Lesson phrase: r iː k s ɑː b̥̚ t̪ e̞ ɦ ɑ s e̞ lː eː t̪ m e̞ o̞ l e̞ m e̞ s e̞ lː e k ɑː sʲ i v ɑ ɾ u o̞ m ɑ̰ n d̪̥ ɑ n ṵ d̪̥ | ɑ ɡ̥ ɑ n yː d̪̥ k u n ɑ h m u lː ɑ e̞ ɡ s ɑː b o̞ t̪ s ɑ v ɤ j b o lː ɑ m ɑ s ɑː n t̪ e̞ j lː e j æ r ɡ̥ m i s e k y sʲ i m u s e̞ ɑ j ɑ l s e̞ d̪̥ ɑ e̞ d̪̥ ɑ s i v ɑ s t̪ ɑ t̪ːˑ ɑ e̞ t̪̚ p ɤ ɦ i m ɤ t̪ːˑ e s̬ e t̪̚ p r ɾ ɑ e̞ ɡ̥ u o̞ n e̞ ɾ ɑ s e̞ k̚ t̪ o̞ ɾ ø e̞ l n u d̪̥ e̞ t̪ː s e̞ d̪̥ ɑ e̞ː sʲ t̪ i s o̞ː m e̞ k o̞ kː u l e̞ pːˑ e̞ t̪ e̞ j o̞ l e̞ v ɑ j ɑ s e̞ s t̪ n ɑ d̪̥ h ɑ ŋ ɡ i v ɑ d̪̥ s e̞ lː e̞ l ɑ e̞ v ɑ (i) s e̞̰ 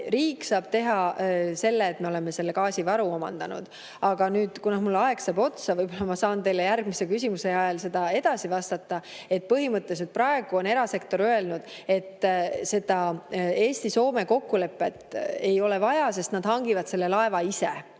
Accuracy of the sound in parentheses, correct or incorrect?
correct